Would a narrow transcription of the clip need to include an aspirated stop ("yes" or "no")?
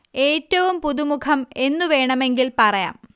yes